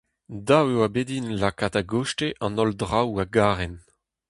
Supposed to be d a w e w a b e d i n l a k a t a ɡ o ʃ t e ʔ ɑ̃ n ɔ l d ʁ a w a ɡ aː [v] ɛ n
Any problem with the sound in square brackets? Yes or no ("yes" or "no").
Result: yes